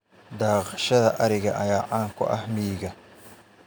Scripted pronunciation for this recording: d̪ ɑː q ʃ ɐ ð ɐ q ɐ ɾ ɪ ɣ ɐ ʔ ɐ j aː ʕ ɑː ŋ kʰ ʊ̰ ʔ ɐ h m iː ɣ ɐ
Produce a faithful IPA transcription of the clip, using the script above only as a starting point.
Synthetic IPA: d̪ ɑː q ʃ ɐ ð ɐ ʔ ɐ ɾ ɪ ɣ ɐ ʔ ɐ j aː ʕ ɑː ŋ kʰ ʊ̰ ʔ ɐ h m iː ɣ ɐ